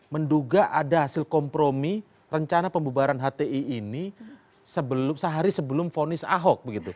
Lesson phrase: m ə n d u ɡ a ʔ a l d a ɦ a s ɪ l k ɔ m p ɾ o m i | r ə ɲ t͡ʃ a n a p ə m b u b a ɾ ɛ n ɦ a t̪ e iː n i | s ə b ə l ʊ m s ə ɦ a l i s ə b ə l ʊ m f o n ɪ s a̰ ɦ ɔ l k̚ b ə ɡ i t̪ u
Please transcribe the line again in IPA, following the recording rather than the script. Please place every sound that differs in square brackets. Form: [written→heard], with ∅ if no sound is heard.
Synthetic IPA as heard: m ə n d u ɡ a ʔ a [l→∅] d a ɦ a s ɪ l k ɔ m p ɾ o m i | r ə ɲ t͡ʃ a n a p ə m b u b a ɾ [ɛ→a] n ɦ a t̪ e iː n i | s ə b ə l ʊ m s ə ɦ a [l→ɾ] i s ə b ə l ʊ m f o n ɪ s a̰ ɦ ɔ [l→∅] k̚ b ə ɡ i t̪ u